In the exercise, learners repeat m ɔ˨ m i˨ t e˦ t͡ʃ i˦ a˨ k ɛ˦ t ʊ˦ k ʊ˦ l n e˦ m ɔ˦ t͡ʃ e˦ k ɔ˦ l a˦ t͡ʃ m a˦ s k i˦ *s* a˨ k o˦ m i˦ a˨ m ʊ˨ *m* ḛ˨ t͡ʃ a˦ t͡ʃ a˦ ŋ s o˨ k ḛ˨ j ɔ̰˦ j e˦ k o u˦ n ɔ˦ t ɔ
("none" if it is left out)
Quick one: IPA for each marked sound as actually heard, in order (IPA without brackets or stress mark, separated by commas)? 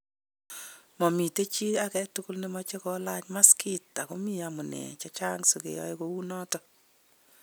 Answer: t, n